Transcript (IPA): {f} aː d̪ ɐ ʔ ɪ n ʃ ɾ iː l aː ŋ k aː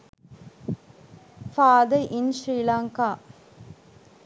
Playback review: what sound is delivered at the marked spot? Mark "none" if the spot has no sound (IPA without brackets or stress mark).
f